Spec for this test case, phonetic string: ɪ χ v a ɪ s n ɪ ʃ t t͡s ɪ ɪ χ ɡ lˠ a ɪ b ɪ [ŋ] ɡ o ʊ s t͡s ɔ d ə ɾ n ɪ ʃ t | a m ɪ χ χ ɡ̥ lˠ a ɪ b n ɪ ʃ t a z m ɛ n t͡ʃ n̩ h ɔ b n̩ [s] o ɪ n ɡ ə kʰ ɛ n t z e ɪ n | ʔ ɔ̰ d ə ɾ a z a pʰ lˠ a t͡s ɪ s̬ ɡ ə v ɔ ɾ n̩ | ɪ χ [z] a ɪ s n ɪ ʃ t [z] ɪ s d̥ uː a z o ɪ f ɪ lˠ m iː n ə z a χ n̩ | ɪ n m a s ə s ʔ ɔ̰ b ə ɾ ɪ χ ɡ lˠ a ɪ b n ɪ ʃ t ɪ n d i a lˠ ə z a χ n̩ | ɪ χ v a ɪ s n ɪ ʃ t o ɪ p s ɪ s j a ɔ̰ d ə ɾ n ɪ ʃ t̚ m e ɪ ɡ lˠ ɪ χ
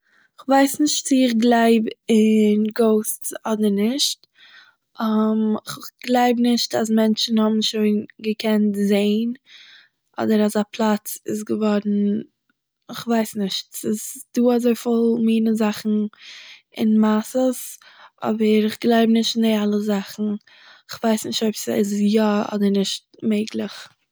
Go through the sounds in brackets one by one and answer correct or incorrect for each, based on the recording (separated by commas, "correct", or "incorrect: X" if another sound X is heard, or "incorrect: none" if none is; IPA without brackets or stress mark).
incorrect: n, incorrect: ʃ, incorrect: v, incorrect: s